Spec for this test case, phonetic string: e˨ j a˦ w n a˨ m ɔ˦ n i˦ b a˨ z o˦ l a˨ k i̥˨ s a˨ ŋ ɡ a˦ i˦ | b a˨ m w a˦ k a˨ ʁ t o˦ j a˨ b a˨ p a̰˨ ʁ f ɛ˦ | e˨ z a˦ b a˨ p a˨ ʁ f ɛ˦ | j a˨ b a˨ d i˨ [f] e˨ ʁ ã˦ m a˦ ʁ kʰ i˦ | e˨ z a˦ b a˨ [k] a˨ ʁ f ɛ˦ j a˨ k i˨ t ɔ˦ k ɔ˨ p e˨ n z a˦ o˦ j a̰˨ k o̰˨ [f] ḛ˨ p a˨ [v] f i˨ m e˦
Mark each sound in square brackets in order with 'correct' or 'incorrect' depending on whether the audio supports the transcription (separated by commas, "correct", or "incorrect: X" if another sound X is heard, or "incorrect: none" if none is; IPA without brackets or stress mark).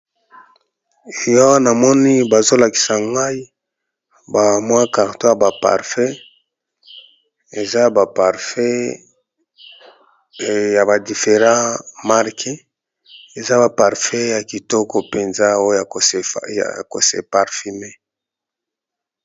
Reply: correct, incorrect: p, incorrect: s, incorrect: ʁ